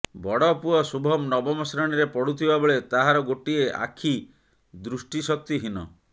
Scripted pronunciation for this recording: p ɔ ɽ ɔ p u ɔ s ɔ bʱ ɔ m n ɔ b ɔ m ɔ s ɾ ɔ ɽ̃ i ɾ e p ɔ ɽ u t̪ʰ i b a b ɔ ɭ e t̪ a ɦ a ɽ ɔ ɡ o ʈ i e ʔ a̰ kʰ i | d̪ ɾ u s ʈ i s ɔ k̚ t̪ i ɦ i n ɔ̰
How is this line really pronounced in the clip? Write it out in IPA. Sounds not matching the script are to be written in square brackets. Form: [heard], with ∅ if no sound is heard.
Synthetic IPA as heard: [b] ɔ ɽ ɔ p u ɔ s [u] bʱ ɔ m n ɔ b ɔ m ɔ s ɾ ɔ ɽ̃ i ɾ e p ɔ ɽ u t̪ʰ i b a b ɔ ɭ e t̪ a ɦ a [ɾ] ɔ ɡ o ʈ i e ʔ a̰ kʰ i | d̪ ɾ u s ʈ i s ɔ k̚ t̪ i ɦ i n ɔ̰